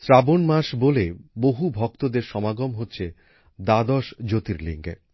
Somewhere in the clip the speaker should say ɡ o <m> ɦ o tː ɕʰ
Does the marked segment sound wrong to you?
no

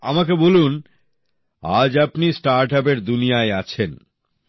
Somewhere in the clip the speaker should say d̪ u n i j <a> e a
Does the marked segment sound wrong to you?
no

